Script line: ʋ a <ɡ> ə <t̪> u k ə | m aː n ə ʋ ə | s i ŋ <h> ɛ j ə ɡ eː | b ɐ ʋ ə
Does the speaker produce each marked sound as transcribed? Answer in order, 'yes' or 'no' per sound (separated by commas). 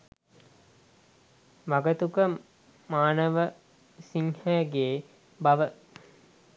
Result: yes, yes, yes